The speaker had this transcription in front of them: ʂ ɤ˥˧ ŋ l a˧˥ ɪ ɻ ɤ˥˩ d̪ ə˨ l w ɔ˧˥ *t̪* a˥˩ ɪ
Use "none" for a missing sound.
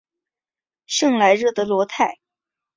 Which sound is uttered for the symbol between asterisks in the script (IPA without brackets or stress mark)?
t̪ʰ